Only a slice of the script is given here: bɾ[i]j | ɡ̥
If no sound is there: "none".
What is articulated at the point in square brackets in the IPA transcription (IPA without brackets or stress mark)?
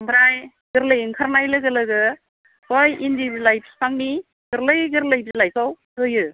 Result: a